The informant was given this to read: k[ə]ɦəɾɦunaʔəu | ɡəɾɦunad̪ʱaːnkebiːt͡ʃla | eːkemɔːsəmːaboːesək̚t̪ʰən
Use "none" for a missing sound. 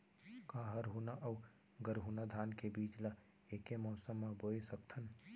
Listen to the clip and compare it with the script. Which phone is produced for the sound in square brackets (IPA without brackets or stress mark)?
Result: a